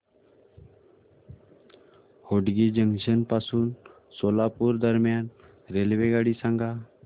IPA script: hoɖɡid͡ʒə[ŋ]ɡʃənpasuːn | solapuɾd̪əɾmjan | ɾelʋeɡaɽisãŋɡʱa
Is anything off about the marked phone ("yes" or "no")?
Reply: no